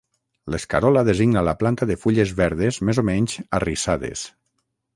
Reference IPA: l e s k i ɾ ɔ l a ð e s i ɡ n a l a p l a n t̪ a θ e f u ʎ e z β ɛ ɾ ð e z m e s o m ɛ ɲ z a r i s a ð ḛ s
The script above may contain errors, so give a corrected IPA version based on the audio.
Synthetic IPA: l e s k a ɾ ɔ l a ð e z i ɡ n a l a p l a n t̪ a ð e f u ʎ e z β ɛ ɾ ð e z m e z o m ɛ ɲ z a r i s a ð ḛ s

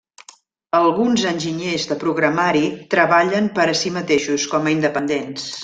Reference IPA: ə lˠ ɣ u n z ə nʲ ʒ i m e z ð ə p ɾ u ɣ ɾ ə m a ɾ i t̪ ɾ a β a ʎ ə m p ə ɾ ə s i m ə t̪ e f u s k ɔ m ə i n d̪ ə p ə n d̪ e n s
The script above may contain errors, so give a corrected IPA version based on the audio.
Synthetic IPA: ə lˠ ɣ u n z ə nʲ ʒ i ɲ e z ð ə p ɾ u ɣ ɾ ə m a ɾ i t̪ ɾ ə β a ʎ ə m p ə ɾ ə s i m ə t̪ e ʃ u s k ɔ m ə i n d̪ ə p ə n d̪ e n s

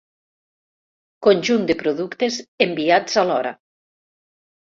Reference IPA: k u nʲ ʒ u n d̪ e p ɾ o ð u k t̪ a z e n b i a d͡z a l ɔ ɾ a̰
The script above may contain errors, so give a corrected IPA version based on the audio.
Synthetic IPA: k o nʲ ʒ u n d̪ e p ɾ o ð u k t̪ e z e m b i a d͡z a l ɔ ɾ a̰

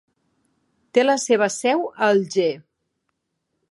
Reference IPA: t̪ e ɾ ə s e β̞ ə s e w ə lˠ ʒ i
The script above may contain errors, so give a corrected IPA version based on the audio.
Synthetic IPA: t̪ e l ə s e β̞ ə s ɛ w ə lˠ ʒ e

